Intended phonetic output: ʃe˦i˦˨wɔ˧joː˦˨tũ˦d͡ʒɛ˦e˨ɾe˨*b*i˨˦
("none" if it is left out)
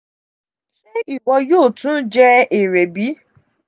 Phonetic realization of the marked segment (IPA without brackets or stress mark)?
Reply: b